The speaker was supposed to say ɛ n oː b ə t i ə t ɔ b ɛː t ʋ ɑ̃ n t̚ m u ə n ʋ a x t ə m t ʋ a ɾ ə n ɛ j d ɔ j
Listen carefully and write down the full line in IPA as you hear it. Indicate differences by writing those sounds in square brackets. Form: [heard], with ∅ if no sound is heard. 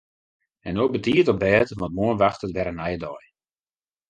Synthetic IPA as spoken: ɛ n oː b ə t i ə t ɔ b ɛː t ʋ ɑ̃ n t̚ m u ə n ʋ a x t ə [∅] t ʋ [ɛ] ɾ ə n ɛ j d ɔ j